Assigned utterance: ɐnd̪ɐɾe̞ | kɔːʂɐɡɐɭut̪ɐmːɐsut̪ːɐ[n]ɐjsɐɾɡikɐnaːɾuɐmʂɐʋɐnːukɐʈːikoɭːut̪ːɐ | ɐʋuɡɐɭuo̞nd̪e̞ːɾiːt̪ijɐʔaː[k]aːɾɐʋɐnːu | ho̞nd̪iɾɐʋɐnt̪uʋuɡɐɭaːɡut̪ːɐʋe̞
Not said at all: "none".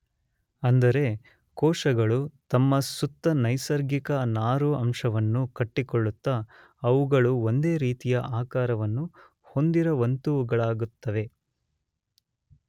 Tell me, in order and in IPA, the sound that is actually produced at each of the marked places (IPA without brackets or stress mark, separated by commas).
n, k